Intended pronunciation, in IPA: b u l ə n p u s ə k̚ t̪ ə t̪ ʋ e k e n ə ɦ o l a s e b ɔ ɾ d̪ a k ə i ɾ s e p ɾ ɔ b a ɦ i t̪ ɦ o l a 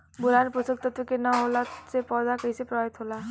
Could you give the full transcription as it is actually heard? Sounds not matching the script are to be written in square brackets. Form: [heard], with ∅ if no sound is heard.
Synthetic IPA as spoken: b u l [a] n p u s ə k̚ t̪ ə t̪ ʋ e k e n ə ɦ o l a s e [p] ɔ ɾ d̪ a k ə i [∅] s e p ɾ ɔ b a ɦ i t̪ ɦ o l a